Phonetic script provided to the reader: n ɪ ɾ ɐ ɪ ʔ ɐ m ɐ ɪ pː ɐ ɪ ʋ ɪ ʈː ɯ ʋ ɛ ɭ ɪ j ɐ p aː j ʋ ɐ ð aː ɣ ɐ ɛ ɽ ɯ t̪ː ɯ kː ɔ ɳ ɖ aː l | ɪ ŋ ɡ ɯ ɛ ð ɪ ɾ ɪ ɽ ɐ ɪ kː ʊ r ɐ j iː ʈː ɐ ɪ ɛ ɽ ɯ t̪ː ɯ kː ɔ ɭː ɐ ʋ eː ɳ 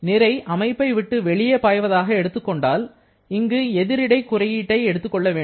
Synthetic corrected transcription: n ɪ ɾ ɐ ɪ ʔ ɐ m ɐ ɪ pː ɐ ɪ ʋ ɪ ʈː ɯ ʋ ɛ ɭ ɪ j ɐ p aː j ʋ ɐ ð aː ɣ ɐ ɛ ɽ ɯ t̪ː ɯ kː ɔ ɳ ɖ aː l | ɪ ŋ ɡ ɯ ɛ ð ɪ ɾ ɪ ɽ ɐ ɪ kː ʊ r ɐ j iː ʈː ɐ ɪ ɛ ɽ ɯ t̪ː ɯ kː ɔ ɭː ɐ ʋ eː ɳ